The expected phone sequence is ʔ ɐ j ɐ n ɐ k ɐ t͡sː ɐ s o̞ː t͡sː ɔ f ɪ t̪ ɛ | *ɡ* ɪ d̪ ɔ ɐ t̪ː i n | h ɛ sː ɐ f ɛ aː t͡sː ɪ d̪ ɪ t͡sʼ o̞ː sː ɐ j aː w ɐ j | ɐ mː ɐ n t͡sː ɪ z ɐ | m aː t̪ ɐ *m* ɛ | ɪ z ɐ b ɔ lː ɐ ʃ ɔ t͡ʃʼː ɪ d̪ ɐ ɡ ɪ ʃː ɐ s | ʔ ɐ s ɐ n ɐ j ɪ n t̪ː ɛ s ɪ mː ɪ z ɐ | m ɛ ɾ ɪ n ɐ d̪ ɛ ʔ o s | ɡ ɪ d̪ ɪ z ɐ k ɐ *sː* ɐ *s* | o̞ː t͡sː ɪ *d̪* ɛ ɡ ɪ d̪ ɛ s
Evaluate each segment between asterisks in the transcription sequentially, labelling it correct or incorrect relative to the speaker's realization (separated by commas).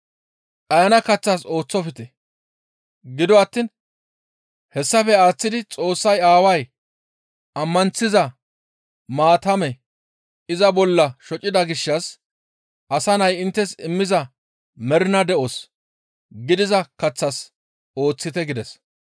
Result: correct, correct, incorrect, correct, incorrect